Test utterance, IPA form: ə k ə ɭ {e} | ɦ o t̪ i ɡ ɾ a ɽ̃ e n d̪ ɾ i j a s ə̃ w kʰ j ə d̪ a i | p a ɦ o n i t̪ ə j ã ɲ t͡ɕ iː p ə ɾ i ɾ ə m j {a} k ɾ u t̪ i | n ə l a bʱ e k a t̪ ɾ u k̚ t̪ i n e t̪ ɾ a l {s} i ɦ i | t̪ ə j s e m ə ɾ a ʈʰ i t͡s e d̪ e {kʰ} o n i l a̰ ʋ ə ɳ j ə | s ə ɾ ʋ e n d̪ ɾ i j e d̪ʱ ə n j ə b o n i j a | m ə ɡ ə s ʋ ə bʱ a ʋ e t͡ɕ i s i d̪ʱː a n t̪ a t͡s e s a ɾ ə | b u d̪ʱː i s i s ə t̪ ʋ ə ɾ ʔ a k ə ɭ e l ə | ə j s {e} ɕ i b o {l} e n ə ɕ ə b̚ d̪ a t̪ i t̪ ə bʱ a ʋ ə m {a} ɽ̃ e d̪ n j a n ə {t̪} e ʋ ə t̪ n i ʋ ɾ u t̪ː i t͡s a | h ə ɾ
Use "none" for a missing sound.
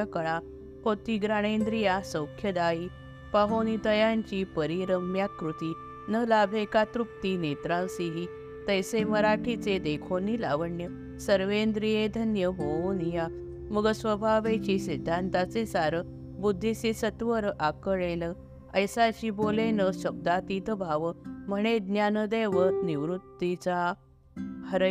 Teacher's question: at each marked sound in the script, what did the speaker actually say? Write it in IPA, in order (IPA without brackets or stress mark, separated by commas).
a, a, s, kʰ, a, l, ə, d̪